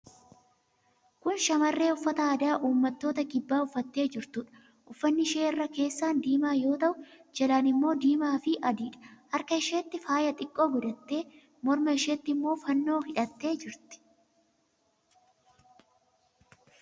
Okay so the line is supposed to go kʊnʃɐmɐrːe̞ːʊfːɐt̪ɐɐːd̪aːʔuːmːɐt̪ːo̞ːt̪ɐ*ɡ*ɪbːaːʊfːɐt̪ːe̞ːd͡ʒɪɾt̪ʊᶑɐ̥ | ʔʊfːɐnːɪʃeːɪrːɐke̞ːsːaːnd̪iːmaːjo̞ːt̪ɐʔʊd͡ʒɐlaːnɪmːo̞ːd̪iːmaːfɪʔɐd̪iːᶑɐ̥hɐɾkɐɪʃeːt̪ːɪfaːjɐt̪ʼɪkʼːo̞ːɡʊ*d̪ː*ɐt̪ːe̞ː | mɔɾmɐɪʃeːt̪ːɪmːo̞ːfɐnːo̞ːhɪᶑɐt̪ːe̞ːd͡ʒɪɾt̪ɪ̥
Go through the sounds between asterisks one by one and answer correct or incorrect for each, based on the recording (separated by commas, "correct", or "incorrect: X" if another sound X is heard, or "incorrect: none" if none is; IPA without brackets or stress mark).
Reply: incorrect: k, incorrect: d̪